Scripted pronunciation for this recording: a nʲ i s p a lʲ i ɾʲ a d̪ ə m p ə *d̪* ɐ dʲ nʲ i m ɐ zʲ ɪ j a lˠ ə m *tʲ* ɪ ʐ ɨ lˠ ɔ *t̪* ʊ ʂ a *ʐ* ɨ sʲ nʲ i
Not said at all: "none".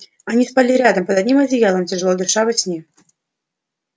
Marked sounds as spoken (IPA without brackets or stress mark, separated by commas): d̪, tʲ, d̪, v